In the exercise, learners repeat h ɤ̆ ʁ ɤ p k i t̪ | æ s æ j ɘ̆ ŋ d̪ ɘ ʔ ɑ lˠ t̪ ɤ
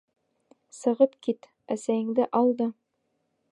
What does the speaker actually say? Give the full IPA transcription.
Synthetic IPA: s ɤ̆ ʁ ɤ p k i t̪ | æ s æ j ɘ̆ ŋ d̪ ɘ ʔ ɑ lˠ d̪ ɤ